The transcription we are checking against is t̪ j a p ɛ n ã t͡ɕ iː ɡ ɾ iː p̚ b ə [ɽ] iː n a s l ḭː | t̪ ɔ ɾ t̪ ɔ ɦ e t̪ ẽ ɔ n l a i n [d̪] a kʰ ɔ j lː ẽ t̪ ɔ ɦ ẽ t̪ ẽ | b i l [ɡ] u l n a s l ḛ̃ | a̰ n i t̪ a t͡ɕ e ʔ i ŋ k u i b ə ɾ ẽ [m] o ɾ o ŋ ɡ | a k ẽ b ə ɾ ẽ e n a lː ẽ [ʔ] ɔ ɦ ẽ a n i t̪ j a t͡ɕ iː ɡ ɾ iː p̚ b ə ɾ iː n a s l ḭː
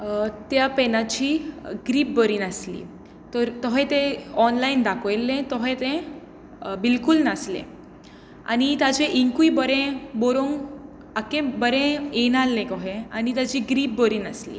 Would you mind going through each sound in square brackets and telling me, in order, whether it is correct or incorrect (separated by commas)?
incorrect, correct, incorrect, incorrect, incorrect